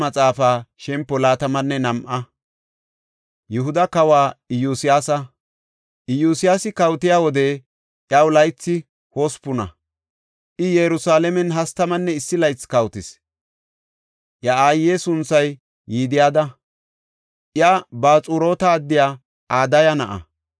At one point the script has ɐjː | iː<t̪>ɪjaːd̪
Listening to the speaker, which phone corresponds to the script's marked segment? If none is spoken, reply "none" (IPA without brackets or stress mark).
d̪